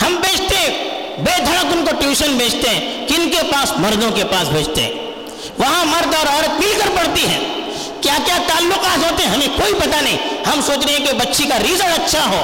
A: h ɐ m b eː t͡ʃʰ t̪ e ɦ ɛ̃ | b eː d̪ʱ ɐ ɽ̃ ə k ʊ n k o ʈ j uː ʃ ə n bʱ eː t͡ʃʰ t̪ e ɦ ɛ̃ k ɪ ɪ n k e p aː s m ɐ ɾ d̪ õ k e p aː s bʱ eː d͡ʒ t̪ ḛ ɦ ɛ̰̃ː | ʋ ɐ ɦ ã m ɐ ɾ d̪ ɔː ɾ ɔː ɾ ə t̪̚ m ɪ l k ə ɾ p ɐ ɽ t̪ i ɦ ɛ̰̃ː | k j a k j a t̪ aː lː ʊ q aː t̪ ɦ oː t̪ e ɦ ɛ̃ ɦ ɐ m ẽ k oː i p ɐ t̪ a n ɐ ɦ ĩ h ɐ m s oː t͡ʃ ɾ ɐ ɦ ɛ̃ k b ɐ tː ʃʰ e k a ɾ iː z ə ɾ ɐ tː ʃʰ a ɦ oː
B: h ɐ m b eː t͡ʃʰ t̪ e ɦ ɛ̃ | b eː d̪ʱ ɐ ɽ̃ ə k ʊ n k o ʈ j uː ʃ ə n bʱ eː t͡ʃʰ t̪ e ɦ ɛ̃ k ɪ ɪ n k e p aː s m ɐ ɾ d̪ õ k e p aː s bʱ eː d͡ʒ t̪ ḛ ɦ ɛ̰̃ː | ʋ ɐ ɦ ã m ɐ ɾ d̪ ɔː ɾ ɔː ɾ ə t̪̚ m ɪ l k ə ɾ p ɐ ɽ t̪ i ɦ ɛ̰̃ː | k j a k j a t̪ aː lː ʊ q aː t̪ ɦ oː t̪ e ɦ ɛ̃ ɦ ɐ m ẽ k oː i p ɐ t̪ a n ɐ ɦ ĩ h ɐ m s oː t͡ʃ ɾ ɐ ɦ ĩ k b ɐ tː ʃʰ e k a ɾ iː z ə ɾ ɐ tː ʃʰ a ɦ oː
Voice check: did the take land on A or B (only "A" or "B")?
A